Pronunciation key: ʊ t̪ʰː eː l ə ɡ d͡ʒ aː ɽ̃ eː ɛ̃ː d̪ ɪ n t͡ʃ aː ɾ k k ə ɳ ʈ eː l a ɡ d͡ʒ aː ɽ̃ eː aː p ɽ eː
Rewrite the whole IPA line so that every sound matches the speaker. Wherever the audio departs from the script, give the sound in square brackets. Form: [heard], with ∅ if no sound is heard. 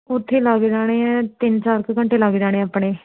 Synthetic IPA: ʊ t̪ʰː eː l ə ɡ d͡ʒ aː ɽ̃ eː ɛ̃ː [t̪] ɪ n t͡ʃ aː ɾ k k ə ɳ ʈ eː l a ɡ d͡ʒ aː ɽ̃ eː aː p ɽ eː